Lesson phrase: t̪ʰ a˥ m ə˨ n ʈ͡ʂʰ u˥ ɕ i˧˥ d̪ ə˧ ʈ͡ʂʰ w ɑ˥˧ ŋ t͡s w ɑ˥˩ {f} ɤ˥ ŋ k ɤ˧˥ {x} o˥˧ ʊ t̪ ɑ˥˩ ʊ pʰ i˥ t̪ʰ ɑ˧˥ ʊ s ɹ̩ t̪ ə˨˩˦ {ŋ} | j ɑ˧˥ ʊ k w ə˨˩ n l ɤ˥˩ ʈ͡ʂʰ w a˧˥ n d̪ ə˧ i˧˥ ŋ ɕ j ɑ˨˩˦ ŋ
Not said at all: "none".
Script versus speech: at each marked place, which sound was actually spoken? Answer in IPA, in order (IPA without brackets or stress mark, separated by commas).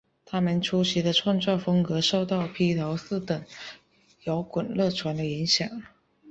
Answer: f, ʂ, ŋ